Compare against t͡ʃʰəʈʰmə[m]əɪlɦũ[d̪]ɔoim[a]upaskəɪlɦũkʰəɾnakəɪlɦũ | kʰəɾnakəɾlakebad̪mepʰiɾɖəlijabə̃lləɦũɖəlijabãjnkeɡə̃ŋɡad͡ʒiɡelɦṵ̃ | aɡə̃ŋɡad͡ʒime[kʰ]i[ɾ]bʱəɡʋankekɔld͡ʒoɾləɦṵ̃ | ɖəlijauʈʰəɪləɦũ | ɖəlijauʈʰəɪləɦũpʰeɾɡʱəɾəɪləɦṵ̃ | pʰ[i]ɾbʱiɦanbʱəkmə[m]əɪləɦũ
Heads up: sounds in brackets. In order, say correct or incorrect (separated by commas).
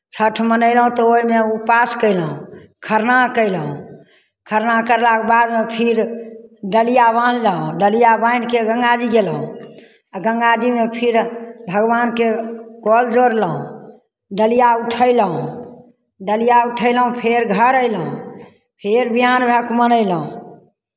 incorrect, incorrect, incorrect, incorrect, correct, incorrect, incorrect